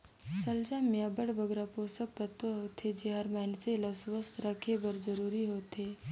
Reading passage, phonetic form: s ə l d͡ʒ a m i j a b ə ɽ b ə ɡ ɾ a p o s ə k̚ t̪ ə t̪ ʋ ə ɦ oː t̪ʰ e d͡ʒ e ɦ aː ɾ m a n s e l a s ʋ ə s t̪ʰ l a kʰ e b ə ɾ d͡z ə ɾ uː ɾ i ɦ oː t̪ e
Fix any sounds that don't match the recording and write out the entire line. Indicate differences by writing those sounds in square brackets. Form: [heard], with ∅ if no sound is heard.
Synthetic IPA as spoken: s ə l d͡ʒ a m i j a b ə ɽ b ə ɡ ɾ a p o s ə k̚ t̪ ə t̪ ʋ ə ɦ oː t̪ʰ e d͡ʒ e ɦ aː ɾ m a n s e l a s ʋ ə s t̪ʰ [ɾ] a kʰ e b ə ɾ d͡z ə ɾ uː ɾ i ɦ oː t̪ e